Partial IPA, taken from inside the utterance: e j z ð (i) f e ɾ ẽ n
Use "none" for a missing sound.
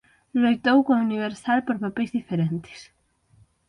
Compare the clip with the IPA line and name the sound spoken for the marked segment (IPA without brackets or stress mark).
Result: i